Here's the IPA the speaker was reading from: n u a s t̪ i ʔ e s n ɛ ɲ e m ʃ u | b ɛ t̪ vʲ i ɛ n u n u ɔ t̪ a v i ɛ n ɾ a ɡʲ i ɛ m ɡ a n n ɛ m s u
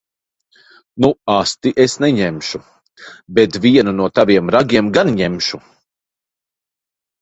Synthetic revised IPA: n u a s t̪ i ʔ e s n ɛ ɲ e m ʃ u | b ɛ t̪ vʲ i ɛ n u n u ɔ t̪ a v i ɛ m ɾ a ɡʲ i ɛ m ɡ a n ɲ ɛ m ʃ u

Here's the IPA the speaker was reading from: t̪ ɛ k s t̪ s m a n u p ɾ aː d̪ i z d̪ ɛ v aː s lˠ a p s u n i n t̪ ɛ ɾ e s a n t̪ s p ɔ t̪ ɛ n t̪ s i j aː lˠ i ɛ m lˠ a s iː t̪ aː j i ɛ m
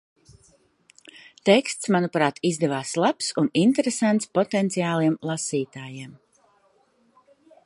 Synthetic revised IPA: t̪ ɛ k s t̪ s m a n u p ɾ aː t̪ i z d̪ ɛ v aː s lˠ a p s u n i n t̪ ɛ ɾ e s a n t̪ s p ɔ t̪ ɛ n t̪ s i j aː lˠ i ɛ m lˠ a s iː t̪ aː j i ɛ m

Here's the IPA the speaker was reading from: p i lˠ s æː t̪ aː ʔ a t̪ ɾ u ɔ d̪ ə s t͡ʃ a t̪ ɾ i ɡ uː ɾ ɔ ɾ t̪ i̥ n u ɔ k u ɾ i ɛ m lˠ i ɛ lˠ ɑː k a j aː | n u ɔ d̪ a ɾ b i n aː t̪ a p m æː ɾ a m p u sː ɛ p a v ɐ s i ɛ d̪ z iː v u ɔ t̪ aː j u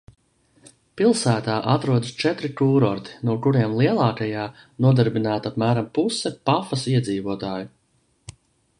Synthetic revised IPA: p i lˠ s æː t̪ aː ʔ a t̪ ɾ u ɔ d̪ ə s t͡ʃ ɛ t̪ ɾ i k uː ɾ ɔ ɾ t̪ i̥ n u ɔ k u ɾ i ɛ m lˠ i ɛ lˠ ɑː k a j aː | n u ɔ d̪ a ɾ b i n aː t̪ a p m æː ɾ a m p u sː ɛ p a f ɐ s i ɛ d̪ z iː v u ɔ t̪ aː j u

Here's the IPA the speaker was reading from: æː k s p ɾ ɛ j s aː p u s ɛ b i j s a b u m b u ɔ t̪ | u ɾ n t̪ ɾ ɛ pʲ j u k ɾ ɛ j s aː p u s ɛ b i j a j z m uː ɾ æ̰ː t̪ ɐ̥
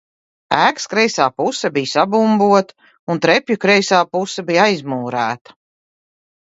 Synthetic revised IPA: æː k s k ɾ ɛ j s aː p u s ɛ b i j s a b u m b u ɔ t̪ | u n t̪ ɾ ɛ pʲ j u k ɾ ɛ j s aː p u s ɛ b i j a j z m uː ɾ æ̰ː t̪ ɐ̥

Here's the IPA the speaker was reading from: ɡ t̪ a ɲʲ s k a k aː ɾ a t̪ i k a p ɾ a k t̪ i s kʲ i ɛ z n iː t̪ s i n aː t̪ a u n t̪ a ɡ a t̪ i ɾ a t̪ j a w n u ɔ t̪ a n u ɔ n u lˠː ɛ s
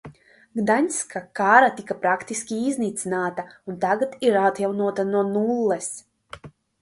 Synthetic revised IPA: ɡ d̪ a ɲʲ s k a k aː ɾ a t̪ i k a p ɾ a k t̪ i s kʲ i i z n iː t̪ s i n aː t̪ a u n t̪ a ɡ a t̪ i ɾ a t̪ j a w n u ɔ t̪ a n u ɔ n u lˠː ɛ s

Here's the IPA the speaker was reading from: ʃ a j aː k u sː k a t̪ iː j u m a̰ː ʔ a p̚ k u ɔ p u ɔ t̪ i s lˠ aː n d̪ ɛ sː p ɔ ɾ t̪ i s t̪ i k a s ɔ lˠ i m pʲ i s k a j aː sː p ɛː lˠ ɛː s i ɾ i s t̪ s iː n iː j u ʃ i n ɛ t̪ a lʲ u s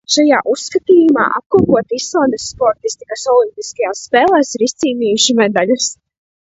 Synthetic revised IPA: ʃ a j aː ʔ u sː k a t̪ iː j u m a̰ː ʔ a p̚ k u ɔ p u ɔ t̪ i s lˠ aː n d̪ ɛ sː p ɔ ɾ t̪ i s t̪ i k a s ɔ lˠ i m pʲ i s k a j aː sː p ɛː lˠ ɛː s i ɾ i s t̪ s iː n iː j u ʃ i m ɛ d̪ a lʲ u s

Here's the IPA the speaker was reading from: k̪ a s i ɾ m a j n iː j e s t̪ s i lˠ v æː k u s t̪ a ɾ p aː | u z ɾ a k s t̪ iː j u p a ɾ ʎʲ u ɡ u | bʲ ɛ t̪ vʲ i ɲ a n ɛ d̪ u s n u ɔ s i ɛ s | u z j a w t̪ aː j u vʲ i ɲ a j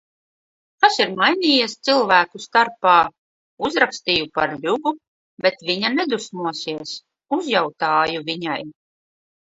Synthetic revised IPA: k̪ a s i ɾ m a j n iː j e s t̪ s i lˠ v æː k u s t̪ a ɾ p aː | u z ɾ a k s t̪ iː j u p a ɾ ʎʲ u ɡ u | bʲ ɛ t̪ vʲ i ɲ a n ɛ d̪ u s m u ɔ s i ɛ s | u z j a w t̪ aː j u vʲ i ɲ a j

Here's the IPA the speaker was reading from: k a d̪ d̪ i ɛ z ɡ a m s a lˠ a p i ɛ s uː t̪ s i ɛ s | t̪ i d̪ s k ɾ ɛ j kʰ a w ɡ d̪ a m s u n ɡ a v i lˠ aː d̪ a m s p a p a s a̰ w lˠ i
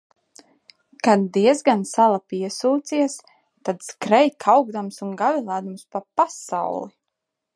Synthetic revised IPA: k a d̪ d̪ i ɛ z ɡ a n s a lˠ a p i ɛ s uː t̪ s i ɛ s | t̪ a d̪ s k ɾ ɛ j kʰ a w ɡ d̪ a m s u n ɡ a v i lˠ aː d̪ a m s p a p a s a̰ w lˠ i

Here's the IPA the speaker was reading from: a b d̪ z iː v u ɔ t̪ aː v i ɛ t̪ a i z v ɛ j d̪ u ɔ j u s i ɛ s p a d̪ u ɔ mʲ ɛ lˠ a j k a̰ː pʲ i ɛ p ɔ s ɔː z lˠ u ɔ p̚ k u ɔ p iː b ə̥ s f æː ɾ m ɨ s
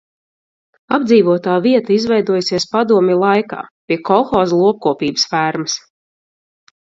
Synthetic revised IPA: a b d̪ z iː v u ɔ t̪ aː v i ɛ t̪ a i z v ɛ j d̪ u ɔ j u s i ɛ s p a d̪ u ɔ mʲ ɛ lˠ a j k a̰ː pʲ i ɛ k ɔ x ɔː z lˠ u ɔ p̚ k u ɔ p iː b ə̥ s f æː ɾ m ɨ s

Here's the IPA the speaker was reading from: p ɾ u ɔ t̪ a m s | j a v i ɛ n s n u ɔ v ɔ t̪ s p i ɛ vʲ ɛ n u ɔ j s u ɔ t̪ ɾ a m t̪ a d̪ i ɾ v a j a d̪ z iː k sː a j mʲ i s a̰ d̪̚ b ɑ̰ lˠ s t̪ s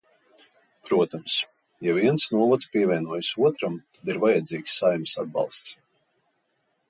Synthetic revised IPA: p ɾ u ɔ t̪ a m s | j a v i ɛ n s n u ɔ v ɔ t̪ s p i ɛ vʲ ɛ n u ɔ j s u ɔ t̪ ɾ a m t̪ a d̪ i ɾ v a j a d̪ z iː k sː a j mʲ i s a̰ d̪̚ b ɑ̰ lˠ s t̪ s

